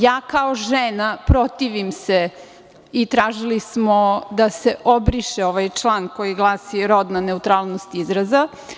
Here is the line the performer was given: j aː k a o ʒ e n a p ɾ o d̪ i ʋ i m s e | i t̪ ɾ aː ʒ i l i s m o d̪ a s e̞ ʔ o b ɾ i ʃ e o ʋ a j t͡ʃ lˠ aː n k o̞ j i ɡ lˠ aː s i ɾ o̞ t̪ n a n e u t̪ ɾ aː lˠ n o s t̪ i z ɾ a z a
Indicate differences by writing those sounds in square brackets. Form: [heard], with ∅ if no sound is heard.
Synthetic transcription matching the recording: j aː k a o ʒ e n a p ɾ o [t̪] i ʋ i m s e | i t̪ ɾ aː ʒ i l i s m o d̪ a s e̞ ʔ o b ɾ i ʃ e o ʋ a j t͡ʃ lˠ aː n k o̞ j i ɡ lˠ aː s i ɾ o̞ [d̪] n a n e u t̪ ɾ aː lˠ n o s t̪ i z ɾ a z a